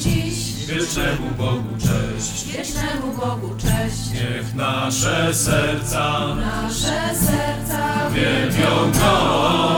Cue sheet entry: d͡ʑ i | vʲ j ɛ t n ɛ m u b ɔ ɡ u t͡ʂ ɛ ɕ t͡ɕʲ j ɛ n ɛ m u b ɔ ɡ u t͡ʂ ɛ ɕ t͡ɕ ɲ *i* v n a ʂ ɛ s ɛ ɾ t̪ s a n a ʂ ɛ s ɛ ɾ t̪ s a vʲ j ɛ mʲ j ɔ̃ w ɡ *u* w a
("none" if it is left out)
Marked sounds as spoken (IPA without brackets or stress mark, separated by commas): ɛ, ɔ